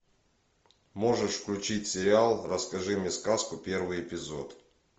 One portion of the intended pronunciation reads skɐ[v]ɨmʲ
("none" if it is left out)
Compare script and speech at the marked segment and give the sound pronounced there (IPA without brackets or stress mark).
ʐ